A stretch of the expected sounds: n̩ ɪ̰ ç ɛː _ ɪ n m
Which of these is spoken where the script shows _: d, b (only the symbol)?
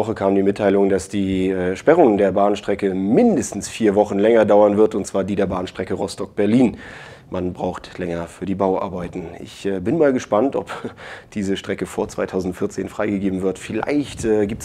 b